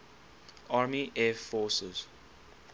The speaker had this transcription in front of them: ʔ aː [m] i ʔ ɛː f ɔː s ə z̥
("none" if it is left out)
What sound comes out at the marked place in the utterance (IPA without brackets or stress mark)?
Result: m